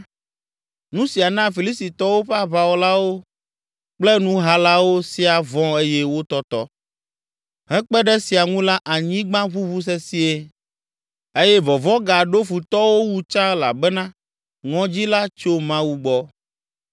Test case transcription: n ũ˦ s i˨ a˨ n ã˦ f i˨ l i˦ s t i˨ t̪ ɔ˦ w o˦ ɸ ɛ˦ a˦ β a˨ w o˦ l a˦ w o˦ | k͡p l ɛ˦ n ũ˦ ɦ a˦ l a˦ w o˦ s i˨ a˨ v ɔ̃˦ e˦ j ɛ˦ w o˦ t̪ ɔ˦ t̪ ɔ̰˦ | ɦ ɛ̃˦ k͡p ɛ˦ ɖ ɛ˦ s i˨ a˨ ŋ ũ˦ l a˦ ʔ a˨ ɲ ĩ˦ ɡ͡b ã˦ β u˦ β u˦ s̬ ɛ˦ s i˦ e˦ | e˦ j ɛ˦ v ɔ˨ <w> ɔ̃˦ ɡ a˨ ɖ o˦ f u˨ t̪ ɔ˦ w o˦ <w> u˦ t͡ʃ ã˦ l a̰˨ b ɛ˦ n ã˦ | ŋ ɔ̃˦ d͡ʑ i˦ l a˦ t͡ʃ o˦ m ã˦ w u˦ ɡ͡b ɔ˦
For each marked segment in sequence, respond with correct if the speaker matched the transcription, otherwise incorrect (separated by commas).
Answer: incorrect, correct